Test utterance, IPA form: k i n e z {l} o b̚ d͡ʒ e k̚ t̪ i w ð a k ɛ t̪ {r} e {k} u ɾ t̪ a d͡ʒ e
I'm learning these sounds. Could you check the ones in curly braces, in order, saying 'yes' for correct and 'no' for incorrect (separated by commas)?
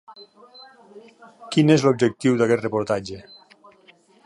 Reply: yes, yes, no